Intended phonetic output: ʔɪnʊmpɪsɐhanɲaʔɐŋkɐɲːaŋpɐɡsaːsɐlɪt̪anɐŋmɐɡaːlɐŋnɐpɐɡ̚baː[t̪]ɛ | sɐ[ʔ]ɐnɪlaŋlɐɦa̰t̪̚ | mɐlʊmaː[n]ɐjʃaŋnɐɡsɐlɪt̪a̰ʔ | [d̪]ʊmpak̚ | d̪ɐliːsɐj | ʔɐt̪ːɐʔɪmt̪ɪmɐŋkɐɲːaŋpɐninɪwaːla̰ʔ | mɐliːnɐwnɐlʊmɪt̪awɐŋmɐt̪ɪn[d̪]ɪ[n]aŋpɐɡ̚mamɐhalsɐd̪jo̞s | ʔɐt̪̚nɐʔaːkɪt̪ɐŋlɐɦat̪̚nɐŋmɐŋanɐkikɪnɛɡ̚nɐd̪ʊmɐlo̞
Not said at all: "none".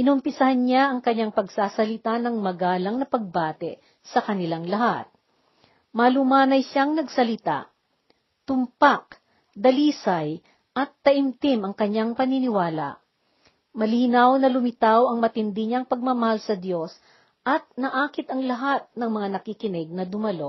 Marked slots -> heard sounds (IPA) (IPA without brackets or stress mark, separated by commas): t̪, k, n, t̪, d̪, ɲ